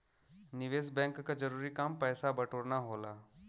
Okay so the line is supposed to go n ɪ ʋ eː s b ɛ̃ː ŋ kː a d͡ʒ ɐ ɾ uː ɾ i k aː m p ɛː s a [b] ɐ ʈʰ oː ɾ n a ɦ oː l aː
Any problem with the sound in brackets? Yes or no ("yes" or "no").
no